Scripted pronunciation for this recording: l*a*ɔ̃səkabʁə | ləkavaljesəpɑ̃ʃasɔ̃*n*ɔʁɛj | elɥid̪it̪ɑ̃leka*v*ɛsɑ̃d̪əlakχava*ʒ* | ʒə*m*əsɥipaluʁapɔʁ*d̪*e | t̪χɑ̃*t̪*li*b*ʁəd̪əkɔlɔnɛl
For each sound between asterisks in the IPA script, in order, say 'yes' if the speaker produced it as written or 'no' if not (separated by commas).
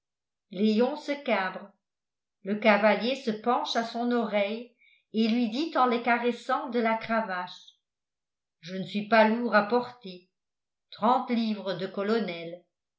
no, yes, no, no, no, no, yes, no